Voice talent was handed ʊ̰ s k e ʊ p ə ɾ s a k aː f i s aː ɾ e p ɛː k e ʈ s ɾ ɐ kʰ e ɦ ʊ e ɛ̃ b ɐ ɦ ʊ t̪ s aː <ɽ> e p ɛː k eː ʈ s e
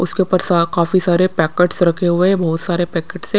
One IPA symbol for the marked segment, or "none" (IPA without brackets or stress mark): ɾ